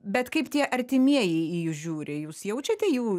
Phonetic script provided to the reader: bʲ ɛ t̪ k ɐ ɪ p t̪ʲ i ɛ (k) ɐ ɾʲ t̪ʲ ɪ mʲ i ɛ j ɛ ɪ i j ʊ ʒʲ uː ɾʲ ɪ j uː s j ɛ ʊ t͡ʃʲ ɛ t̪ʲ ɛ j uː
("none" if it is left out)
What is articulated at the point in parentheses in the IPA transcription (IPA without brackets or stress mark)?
ʔ